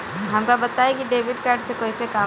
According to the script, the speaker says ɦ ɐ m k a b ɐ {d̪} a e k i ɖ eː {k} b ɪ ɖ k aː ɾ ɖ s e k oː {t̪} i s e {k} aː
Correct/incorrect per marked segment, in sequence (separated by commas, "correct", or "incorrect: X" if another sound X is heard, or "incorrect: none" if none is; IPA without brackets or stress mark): incorrect: t̪, incorrect: none, incorrect: none, correct